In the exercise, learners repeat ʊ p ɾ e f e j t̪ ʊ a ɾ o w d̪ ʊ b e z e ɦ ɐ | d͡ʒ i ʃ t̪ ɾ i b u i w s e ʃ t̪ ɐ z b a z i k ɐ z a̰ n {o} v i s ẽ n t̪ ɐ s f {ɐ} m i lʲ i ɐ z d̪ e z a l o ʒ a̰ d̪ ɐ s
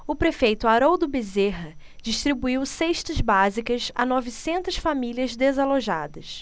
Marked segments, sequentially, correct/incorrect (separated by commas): incorrect, incorrect